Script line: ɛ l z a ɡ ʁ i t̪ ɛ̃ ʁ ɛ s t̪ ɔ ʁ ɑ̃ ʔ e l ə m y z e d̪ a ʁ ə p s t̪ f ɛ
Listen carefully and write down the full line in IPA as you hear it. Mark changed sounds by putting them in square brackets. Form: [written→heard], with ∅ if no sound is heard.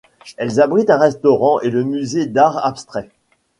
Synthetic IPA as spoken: ɛ l z a [ɡ→b] ʁ i t̪ ɛ̃ ʁ ɛ s t̪ ɔ ʁ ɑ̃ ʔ e l ə m y z e d̪ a ʁ [ə→a] p s t̪ [f→χ] ɛ